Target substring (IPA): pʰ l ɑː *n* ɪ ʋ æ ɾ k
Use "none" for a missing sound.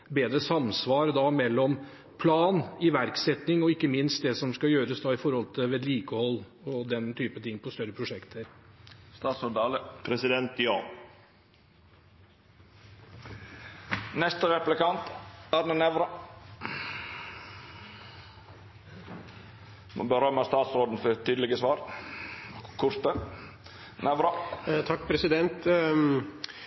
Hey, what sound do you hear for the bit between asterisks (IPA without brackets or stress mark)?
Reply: n